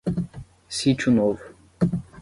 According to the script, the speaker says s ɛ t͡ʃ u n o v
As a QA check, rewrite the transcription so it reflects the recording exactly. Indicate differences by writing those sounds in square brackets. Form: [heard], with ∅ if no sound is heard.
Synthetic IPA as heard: s [i] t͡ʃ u n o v